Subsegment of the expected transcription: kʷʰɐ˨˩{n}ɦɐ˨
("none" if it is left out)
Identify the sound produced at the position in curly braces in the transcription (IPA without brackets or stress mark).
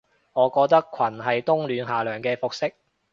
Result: n